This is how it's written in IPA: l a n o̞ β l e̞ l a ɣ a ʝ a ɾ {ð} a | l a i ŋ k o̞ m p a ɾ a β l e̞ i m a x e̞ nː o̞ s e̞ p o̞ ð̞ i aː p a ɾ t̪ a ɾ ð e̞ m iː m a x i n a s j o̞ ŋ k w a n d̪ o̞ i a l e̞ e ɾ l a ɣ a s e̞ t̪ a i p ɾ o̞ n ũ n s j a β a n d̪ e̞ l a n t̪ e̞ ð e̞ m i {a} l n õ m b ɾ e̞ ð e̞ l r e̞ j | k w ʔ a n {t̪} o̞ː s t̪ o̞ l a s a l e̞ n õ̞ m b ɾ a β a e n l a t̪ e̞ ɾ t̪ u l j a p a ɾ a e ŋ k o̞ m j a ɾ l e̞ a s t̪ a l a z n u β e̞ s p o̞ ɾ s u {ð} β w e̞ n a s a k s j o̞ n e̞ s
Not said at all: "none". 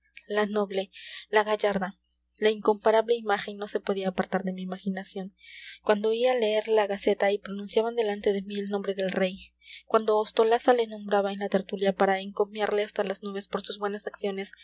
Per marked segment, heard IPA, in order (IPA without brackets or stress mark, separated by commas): ð, e, d̪, z